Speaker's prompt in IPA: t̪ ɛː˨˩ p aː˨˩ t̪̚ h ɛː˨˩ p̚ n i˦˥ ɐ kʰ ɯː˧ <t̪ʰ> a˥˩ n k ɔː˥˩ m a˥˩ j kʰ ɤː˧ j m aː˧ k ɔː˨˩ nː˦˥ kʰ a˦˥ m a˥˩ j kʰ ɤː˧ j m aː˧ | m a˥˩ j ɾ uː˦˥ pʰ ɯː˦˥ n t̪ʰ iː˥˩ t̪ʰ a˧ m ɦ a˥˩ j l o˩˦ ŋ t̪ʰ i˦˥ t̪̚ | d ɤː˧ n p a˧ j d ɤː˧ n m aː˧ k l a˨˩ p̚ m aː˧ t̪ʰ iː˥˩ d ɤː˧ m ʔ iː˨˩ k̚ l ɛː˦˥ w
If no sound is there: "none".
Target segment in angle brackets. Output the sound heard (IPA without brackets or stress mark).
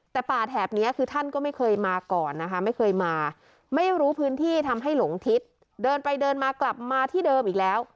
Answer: t̪ʰ